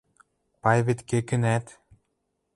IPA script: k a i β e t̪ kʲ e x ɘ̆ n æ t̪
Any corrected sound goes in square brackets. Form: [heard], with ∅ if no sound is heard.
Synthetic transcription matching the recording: [p] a [j] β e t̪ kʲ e [k] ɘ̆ n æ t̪